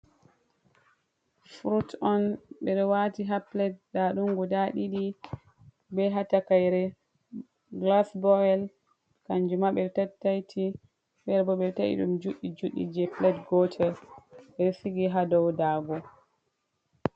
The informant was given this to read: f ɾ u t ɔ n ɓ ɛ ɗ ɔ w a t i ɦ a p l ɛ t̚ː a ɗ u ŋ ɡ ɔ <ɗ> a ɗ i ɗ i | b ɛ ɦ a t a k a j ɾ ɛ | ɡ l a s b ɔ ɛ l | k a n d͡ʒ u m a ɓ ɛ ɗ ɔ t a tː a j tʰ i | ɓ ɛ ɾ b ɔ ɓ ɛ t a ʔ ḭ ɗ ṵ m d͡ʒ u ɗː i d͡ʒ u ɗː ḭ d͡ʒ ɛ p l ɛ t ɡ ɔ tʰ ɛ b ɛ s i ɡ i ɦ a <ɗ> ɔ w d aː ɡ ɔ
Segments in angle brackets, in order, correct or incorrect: incorrect: d, incorrect: d

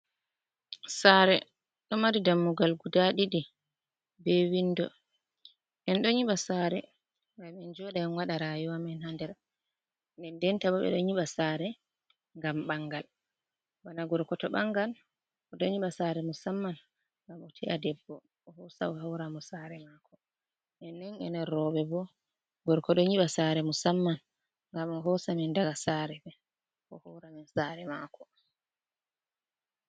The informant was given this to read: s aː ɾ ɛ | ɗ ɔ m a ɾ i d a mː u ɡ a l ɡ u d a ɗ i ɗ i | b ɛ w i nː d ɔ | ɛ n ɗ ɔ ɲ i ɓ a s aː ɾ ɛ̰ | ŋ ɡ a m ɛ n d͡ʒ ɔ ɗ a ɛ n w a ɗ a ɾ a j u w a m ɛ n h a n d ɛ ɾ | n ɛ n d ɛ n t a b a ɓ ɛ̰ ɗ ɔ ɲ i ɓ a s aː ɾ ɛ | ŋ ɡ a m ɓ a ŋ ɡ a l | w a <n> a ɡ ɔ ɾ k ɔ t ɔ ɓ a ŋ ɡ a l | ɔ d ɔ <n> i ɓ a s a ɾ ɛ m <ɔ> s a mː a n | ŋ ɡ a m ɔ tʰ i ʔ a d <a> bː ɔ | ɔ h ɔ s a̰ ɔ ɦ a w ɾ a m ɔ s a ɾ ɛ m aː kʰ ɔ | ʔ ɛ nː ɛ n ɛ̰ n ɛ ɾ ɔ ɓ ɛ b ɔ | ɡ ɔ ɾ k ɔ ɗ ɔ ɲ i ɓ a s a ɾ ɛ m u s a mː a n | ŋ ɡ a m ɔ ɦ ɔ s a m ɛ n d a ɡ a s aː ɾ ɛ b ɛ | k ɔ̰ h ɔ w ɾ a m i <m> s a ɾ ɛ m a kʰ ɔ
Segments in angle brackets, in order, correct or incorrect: correct, incorrect: ɲ, incorrect: u, incorrect: ɛ, incorrect: n

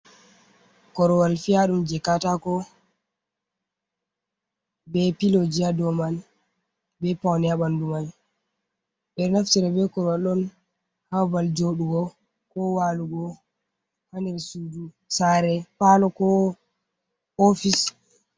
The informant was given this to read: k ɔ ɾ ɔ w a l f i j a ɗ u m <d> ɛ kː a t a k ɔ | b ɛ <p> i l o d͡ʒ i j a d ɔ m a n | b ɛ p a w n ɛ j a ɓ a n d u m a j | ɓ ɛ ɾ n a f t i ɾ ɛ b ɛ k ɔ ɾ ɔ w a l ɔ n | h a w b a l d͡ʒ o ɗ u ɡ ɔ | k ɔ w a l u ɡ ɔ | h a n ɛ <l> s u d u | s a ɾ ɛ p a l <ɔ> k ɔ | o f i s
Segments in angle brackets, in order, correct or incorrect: incorrect: d͡ʒ, correct, incorrect: ɾ, correct

